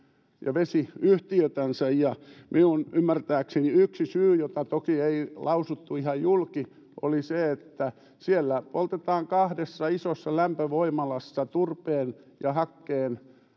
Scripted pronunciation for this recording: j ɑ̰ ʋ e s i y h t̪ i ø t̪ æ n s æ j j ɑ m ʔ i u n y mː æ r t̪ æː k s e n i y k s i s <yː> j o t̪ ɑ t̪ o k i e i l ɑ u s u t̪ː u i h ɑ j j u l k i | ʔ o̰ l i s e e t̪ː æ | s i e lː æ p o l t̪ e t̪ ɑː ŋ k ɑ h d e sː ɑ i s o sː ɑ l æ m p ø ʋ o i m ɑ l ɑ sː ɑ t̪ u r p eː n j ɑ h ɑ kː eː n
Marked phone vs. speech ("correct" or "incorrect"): correct